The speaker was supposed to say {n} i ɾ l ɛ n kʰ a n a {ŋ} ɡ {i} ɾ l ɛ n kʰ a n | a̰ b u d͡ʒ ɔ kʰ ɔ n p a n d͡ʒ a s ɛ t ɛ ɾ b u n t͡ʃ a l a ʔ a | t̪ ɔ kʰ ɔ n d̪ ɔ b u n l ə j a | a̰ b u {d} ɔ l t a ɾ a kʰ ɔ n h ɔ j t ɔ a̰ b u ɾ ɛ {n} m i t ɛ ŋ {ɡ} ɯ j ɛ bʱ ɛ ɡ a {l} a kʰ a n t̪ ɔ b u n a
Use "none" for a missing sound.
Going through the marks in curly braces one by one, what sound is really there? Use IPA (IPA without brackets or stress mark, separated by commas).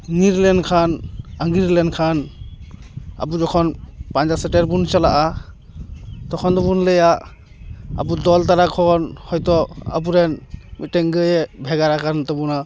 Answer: n, ŋ, i, d, n, ɡ, ɾ